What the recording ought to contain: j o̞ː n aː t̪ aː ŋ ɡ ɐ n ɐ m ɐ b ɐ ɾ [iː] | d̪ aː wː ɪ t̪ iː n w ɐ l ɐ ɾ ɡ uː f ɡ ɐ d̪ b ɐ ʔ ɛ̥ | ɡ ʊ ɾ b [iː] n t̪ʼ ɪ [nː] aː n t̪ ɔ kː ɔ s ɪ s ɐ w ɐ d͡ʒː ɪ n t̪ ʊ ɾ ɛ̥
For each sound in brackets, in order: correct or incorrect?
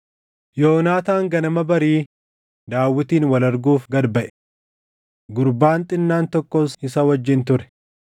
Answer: correct, incorrect: aː, correct

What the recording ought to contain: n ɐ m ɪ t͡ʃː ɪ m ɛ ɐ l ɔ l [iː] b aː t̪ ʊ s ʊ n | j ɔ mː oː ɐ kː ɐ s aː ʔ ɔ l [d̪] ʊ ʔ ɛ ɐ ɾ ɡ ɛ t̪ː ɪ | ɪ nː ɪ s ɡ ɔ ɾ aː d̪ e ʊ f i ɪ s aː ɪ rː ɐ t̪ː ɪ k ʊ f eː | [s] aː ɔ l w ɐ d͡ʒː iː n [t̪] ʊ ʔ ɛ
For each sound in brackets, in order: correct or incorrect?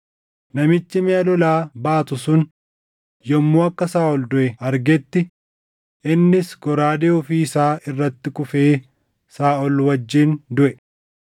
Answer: incorrect: aː, correct, correct, incorrect: d̪

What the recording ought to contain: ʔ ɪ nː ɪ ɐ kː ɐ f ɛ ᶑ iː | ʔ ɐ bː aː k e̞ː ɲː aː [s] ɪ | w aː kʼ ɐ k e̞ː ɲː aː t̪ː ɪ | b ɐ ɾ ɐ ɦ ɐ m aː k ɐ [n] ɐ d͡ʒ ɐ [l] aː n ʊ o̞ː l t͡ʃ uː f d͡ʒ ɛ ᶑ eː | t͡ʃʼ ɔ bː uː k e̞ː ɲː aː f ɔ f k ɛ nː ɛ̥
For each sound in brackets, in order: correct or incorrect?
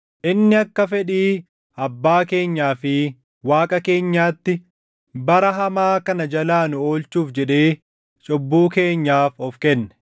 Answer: incorrect: f, correct, correct

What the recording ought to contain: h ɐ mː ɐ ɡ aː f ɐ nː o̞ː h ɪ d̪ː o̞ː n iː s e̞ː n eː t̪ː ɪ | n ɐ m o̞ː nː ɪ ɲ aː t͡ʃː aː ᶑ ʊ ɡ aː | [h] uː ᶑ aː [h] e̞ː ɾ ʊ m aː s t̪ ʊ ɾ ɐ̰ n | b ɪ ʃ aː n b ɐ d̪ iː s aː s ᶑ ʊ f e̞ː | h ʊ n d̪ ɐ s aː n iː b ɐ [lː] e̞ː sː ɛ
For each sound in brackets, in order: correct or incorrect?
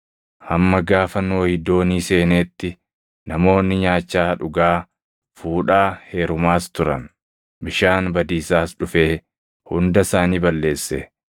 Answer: incorrect: f, correct, correct

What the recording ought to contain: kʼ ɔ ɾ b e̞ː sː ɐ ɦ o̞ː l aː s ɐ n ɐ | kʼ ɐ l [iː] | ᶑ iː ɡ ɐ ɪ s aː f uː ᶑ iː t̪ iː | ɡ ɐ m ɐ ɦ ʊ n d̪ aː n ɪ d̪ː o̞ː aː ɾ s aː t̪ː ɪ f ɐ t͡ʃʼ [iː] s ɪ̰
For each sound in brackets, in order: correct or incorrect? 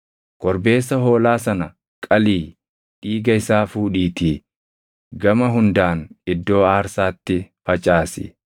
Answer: correct, incorrect: aː

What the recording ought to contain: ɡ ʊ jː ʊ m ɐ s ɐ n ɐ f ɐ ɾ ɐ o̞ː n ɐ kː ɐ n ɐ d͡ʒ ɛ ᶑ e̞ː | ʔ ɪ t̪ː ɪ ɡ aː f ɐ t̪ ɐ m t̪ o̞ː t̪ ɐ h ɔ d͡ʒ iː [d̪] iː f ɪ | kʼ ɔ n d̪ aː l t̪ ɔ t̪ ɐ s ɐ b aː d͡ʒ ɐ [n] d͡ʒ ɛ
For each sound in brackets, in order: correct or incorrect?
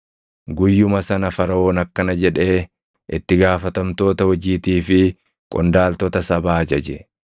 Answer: incorrect: t̪, incorrect: none

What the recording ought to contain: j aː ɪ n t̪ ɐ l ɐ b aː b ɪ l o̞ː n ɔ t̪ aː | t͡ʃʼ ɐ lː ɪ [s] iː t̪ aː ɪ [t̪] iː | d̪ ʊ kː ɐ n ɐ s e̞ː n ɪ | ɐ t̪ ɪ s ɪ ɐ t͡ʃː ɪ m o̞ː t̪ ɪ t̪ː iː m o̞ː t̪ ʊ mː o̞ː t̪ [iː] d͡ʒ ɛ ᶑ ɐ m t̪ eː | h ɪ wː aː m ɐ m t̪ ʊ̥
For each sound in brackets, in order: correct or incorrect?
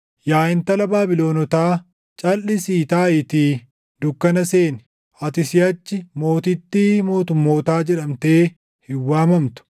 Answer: correct, correct, incorrect: aː

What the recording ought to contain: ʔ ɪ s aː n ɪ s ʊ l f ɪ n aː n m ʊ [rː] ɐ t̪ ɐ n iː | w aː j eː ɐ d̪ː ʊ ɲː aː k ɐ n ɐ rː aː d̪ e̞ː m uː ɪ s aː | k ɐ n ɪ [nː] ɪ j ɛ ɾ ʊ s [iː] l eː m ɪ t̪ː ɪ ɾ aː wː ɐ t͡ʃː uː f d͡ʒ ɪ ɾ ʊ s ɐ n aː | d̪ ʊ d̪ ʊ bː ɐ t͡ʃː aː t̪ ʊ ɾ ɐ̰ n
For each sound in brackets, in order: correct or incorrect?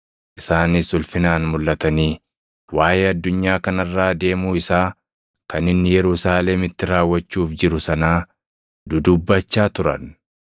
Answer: incorrect: lː, correct, incorrect: aː

